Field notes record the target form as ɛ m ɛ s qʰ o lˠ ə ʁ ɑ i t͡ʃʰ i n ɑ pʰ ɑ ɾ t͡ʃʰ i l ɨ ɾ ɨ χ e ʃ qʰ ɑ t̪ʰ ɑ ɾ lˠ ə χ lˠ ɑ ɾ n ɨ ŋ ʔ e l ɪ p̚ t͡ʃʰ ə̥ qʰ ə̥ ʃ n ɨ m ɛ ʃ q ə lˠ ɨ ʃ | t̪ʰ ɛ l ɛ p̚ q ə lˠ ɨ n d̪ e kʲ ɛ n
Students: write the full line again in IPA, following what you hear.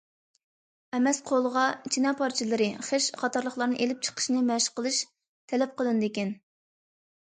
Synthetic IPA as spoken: ɛ m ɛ s qʰ o lˠ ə ʁ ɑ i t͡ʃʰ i n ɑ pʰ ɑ ɾ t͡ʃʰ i l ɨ ɾ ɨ χ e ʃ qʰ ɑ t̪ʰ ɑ ɾ lˠ ə χ lˠ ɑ ɾ n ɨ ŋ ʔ e l ɪ p̚ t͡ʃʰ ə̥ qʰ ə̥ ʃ n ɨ m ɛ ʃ q ə lˠ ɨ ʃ | t̪ʰ ɛ l ɛ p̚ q ə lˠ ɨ n d̪ e kʲ ɛ n